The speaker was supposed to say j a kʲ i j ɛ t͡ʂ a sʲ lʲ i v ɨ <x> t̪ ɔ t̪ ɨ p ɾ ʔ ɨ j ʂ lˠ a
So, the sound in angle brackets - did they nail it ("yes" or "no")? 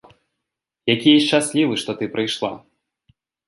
no